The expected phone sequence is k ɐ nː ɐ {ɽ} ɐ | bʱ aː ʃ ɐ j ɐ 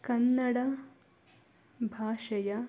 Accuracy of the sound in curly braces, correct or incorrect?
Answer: correct